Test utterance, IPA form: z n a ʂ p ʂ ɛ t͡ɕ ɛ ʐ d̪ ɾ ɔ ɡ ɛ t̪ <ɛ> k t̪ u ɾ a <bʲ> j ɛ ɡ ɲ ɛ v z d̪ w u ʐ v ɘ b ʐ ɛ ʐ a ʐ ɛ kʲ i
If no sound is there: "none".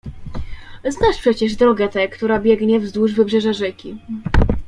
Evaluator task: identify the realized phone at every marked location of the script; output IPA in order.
ɛ, bʲ

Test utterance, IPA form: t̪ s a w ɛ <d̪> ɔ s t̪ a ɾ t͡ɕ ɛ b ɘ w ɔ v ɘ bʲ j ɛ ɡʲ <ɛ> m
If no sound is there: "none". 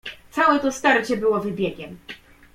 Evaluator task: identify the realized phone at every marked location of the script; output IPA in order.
t̪, ɛ

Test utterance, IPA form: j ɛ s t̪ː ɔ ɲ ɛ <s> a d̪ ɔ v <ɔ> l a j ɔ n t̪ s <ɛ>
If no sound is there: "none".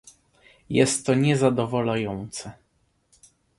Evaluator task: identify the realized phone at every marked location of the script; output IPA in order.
z, ɔ, ɛ

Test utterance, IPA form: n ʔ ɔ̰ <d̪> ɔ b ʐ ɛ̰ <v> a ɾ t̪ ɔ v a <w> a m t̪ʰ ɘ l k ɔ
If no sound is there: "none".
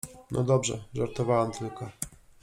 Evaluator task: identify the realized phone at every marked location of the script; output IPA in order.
d̪, ʐ, w

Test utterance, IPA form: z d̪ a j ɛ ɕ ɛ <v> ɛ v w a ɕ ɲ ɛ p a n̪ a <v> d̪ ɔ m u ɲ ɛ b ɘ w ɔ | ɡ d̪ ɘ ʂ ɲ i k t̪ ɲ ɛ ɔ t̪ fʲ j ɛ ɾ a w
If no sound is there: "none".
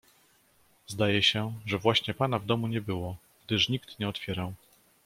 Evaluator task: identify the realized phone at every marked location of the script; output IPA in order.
ʐ, v

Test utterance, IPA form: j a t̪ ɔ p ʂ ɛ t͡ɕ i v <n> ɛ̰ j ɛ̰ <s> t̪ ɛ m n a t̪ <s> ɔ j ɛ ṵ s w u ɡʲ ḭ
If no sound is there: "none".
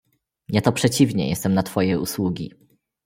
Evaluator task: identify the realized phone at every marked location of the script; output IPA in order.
ɲ, s, f

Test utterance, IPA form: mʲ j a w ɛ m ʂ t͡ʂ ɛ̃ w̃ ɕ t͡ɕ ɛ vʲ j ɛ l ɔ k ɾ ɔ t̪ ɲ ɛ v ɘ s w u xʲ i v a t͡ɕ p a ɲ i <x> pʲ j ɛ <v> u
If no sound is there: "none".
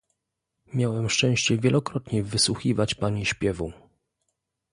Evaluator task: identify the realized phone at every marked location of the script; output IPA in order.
ɕ, v

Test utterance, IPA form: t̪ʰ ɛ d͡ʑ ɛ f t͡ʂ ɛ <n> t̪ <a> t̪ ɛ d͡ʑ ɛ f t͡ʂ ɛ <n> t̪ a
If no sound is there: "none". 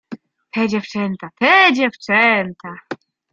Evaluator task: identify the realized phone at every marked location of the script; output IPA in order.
n, a, n

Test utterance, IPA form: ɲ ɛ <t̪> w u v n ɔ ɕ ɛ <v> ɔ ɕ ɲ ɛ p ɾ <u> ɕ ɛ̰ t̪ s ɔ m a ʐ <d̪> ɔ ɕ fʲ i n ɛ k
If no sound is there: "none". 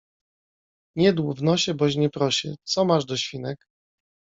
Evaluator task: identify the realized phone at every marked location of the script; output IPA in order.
d̪, b, ɔ, d̪

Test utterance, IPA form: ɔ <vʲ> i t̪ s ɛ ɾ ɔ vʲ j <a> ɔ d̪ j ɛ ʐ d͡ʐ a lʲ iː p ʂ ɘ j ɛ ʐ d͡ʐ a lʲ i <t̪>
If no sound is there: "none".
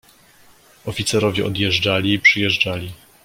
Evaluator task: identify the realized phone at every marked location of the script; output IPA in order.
fʲ, ɛ, none

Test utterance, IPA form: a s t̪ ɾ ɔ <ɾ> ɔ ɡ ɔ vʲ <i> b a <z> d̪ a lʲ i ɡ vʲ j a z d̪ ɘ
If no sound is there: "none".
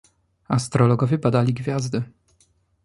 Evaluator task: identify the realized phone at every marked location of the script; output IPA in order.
l, ɛ, none

